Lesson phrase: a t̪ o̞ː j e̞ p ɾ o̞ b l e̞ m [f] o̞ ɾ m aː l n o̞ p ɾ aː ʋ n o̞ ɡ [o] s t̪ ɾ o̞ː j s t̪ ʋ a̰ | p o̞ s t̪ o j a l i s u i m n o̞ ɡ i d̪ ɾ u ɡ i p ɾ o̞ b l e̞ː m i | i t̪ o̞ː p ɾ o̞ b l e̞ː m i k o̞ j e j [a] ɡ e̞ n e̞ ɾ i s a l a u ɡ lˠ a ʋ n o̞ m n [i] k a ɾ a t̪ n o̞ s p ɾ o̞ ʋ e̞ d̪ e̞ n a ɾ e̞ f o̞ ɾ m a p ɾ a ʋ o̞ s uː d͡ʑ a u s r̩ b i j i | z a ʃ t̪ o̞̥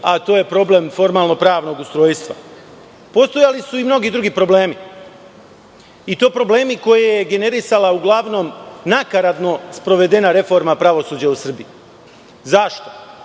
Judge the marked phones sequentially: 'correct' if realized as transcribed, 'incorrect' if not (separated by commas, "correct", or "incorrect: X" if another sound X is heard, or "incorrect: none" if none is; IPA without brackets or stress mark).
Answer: correct, incorrect: u, incorrect: e, incorrect: a